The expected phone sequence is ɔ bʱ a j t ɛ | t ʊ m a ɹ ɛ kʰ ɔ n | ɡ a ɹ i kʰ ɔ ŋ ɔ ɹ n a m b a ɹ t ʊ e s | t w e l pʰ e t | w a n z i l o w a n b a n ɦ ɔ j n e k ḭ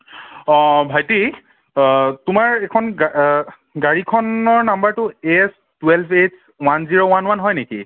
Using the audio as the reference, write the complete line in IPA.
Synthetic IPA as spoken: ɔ bʱ a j t i | t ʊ m a ɹ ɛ kʰ ɔ n | ɡ a ɹ i kʰ ɔ n ɔ ɹ n a m b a ɹ t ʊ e s | t w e l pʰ e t | w a n z i ɹ o w a n w a n ɦ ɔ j n e k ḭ